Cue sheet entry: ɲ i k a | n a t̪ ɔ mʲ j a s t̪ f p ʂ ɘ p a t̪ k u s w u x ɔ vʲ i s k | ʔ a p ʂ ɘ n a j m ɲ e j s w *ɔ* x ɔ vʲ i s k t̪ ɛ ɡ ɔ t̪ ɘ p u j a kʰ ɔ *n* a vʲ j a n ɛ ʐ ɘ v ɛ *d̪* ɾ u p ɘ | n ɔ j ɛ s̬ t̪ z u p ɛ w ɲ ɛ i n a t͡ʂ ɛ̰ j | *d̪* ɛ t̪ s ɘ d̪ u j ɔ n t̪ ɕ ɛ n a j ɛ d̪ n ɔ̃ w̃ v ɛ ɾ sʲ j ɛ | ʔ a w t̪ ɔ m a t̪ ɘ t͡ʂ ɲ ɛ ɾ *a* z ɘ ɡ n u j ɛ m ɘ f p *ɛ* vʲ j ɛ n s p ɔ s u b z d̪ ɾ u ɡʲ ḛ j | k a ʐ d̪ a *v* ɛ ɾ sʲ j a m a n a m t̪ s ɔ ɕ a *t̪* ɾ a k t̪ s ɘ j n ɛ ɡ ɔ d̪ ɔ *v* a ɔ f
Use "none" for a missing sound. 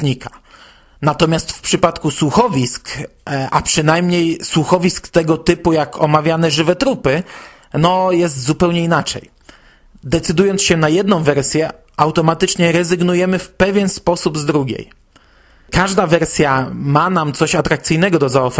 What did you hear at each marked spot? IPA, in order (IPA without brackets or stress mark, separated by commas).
u, m, t̪, d̪, ɛ, ɛ, v, t̪, z